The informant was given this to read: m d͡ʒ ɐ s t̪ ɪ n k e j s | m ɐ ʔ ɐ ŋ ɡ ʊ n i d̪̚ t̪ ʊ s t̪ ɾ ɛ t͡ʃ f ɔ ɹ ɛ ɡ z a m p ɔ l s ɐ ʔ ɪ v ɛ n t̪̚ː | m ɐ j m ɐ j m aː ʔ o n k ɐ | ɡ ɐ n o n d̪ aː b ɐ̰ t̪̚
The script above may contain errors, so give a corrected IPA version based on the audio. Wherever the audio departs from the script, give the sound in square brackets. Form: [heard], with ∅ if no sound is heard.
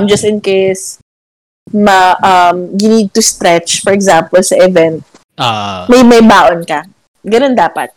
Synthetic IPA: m d͡ʒ ɐ s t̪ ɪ n k e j s | m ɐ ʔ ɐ [m] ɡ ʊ n i d̪̚ t̪ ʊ s t̪ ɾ ɛ t͡ʃ f ɔ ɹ ɛ ɡ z a m p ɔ l s ɐ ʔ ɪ v ɛ n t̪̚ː | m ɐ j m ɐ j [b] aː ʔ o n k ɐ | ɡ ɐ n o n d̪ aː [p] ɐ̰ t̪̚